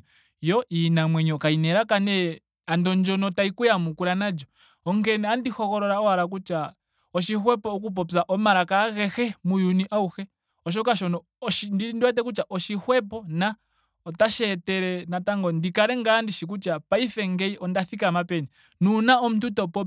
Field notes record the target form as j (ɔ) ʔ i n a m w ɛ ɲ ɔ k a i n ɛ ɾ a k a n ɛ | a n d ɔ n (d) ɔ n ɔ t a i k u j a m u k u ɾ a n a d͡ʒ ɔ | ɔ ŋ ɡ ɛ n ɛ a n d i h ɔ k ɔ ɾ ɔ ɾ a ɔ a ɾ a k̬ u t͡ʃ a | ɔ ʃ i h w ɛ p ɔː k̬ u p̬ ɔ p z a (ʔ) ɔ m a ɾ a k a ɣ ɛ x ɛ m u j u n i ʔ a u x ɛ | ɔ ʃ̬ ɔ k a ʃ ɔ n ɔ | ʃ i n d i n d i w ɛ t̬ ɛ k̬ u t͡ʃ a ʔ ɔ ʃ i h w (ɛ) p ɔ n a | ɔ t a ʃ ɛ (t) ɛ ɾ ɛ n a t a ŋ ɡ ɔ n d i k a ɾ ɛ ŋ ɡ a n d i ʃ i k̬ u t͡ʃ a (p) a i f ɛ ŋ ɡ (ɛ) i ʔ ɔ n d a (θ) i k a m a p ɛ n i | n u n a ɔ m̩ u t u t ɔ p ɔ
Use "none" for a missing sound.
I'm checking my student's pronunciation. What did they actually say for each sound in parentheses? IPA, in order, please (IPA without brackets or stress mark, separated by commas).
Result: ɔ, d͡ʒ, ʔ, ɛ, t, p, ɛ, θ